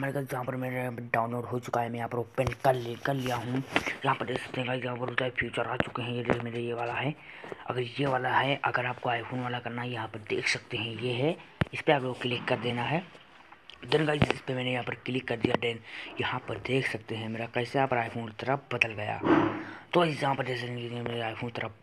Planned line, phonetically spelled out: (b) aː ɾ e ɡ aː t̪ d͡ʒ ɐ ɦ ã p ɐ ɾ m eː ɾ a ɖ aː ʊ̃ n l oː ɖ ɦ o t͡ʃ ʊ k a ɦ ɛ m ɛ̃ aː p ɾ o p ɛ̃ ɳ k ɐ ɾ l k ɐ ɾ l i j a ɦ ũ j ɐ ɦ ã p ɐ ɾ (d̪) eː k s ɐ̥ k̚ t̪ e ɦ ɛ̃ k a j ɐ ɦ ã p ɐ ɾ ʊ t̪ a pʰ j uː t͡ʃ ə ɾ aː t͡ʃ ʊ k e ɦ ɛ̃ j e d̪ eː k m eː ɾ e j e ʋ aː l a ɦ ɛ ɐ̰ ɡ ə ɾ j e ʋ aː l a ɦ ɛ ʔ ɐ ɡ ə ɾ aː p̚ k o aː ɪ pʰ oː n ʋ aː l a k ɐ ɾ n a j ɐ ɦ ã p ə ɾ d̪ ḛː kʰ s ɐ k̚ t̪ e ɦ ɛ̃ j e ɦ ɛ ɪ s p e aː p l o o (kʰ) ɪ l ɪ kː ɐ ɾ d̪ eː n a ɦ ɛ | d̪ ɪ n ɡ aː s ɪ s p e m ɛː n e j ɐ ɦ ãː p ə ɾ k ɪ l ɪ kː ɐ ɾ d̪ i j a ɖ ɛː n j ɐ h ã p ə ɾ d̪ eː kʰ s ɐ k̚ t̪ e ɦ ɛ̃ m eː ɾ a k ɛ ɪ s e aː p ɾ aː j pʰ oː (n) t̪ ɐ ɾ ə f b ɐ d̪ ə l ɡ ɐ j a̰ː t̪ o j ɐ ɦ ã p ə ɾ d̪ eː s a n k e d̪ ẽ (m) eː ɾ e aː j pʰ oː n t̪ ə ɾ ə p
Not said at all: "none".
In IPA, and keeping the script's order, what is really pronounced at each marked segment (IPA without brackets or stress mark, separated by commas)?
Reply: m, d̪, k, n, m